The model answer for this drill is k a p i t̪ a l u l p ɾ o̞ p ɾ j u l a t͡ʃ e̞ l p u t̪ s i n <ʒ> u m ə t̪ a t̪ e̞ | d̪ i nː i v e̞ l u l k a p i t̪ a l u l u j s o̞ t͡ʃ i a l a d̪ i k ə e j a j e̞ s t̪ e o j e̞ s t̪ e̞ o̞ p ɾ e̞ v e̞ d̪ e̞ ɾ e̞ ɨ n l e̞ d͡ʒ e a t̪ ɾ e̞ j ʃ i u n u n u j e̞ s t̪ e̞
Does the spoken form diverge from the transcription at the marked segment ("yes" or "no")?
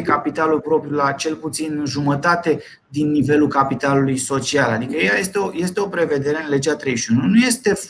no